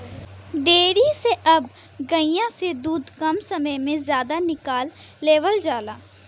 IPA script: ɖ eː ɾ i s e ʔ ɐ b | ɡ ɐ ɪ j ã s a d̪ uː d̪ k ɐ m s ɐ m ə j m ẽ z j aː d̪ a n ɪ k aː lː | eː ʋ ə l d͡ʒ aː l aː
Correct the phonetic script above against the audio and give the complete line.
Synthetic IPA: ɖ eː ɾ i s e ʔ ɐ b | ɡ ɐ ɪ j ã s e d̪ uː d̪ k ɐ m s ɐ m ə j m ẽ z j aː d̪ a n ɪ k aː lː | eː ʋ ə l d͡ʒ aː l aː